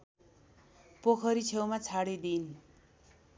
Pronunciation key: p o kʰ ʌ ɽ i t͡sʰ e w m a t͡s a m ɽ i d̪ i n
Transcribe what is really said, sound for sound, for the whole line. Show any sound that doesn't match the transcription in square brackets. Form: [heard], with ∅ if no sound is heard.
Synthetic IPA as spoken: p o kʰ ʌ [ɾ] i t͡sʰ e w m a [t͡sʰ] a [∅] ɽ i d̪ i n